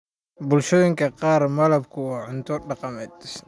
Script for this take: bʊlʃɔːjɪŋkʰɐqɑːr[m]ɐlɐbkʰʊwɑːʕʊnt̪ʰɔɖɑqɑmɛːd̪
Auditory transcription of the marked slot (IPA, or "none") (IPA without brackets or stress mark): m